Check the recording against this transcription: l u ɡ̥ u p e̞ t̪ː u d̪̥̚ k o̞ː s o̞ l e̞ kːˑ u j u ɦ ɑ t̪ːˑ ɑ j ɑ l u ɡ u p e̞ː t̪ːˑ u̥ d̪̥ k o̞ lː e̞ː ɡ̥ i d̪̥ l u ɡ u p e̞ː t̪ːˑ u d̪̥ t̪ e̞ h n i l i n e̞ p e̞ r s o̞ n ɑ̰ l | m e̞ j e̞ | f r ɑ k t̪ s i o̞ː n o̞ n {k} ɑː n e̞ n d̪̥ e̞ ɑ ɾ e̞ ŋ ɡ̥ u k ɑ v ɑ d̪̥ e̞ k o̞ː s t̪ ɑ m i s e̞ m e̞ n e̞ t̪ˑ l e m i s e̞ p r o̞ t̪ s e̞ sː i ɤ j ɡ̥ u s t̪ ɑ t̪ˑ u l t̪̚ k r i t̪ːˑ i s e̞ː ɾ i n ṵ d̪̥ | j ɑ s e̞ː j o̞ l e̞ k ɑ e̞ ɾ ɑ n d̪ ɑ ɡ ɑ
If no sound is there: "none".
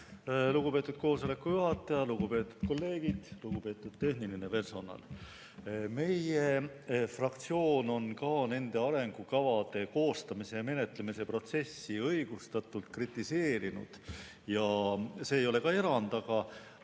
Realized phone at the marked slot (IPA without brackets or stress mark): k